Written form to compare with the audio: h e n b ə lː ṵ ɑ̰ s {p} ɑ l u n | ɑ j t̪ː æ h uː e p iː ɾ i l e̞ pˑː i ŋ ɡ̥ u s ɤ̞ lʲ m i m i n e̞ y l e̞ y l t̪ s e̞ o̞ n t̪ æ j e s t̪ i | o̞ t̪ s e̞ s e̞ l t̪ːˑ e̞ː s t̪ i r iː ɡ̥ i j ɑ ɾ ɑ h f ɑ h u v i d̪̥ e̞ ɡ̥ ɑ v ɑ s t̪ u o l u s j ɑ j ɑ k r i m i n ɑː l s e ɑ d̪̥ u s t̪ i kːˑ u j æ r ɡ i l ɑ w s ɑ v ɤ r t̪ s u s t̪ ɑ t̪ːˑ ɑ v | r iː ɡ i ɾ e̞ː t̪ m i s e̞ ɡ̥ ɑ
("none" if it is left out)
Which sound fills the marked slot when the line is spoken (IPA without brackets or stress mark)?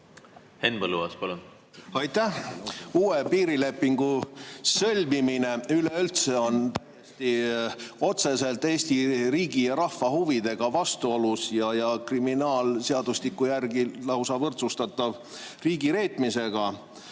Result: p